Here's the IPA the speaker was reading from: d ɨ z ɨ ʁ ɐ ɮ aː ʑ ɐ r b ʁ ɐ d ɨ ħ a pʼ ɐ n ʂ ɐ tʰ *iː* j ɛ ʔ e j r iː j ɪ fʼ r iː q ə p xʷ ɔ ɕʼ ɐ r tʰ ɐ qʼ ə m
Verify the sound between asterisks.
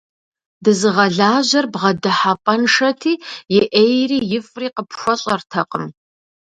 correct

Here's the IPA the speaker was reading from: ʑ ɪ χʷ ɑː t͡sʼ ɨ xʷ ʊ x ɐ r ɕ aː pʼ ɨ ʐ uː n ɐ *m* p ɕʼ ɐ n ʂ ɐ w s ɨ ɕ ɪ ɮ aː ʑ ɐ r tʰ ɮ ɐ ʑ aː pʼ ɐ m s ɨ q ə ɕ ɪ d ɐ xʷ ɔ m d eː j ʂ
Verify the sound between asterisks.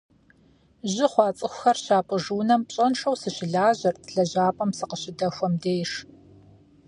correct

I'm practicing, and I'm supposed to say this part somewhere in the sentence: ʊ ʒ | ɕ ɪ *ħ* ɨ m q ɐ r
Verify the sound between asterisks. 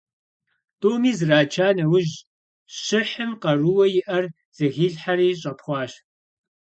correct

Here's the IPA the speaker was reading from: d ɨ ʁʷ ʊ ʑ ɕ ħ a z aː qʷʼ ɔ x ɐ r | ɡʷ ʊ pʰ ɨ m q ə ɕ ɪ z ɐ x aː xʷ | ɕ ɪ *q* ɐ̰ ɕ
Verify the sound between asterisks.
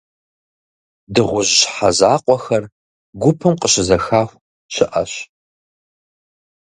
incorrect: ʔ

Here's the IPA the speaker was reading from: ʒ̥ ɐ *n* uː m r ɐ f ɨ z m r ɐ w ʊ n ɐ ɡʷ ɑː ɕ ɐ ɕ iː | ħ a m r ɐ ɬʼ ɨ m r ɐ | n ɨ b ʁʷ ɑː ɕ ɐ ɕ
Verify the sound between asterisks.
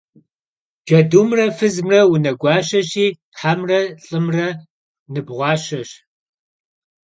incorrect: d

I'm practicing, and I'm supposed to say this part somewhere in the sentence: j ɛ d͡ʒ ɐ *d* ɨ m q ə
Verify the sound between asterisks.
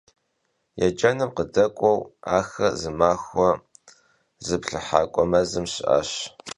incorrect: n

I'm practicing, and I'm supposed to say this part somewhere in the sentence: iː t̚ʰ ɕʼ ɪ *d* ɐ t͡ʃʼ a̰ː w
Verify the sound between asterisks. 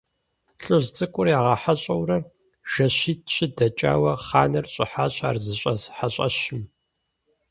correct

